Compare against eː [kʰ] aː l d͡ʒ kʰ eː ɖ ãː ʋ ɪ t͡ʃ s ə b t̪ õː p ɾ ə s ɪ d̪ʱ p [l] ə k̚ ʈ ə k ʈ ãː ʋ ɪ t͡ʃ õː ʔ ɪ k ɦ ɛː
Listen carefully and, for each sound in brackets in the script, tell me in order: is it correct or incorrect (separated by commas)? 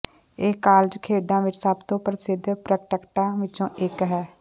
incorrect, incorrect